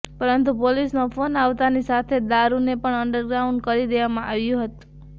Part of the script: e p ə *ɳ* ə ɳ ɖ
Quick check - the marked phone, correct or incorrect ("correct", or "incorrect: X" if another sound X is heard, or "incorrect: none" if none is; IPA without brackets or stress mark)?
correct